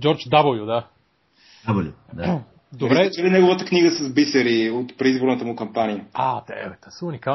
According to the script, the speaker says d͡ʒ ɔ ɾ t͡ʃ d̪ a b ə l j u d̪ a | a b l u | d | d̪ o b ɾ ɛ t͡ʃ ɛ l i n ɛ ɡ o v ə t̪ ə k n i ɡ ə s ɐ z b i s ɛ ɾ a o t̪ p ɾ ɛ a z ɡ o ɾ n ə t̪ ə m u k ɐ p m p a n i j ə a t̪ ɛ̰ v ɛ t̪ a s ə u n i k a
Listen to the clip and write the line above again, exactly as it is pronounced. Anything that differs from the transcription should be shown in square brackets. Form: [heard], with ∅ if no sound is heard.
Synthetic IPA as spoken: d͡ʒ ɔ ɾ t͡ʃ d̪ a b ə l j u d̪ a | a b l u | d | d̪ o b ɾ ɛ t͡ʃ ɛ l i n ɛ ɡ o v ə t̪ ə k n i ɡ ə s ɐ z b i s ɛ ɾ [i] o t̪ p ɾ ɛ [i] z [b] o ɾ n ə t̪ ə m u k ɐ [∅] m p a n i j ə a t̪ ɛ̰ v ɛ t̪ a s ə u n i k a